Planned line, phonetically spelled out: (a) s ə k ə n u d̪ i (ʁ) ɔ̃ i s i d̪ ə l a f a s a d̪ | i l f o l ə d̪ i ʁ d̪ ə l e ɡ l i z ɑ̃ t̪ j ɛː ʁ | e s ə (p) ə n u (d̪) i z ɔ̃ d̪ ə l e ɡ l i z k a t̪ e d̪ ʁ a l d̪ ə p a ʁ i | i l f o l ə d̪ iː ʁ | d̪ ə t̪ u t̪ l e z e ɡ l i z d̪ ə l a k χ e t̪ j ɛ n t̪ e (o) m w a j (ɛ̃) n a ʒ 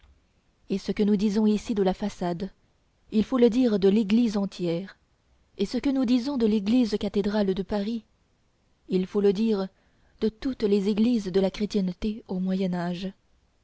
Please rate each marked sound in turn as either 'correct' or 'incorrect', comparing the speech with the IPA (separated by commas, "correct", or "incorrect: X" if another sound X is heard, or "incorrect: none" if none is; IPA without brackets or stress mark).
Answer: incorrect: e, incorrect: z, incorrect: k, correct, correct, incorrect: ɛ